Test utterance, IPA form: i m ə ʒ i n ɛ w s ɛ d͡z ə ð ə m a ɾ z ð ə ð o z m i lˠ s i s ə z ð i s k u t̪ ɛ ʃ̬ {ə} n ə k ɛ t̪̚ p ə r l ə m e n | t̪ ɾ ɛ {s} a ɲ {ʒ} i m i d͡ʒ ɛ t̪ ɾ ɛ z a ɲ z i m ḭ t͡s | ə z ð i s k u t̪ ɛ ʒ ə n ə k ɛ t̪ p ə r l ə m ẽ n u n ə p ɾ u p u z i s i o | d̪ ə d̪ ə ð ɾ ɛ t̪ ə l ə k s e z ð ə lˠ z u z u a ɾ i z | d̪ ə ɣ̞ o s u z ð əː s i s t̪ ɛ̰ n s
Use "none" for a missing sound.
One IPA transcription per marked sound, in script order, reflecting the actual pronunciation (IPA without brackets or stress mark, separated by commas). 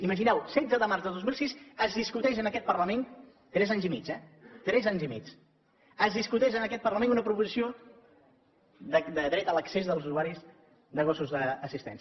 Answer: ə, z, z